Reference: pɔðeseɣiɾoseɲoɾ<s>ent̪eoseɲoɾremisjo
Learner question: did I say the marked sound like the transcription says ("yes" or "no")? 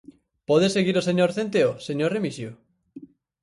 no